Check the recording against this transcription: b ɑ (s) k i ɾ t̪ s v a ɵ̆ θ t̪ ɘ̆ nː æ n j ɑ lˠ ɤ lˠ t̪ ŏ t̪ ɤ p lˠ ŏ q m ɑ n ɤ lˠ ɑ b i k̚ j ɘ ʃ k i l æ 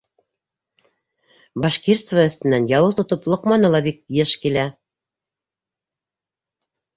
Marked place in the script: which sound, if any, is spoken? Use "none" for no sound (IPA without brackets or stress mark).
ʃ